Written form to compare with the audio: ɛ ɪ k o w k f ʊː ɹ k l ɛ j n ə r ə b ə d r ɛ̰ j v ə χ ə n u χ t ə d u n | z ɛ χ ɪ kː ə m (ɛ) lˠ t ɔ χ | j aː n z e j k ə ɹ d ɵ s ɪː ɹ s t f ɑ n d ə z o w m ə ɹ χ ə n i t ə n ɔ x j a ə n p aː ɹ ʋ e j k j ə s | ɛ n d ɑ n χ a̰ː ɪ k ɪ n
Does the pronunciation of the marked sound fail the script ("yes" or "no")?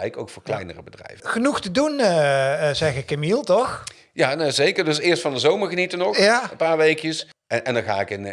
yes